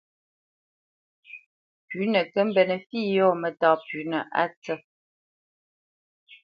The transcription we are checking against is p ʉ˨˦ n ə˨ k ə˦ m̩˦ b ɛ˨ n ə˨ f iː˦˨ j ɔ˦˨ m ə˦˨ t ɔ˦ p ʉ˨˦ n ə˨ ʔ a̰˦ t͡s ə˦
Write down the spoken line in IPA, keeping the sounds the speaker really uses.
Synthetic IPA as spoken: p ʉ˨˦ n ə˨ k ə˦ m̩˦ b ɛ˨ n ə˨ f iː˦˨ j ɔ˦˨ m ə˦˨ t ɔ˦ p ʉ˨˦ n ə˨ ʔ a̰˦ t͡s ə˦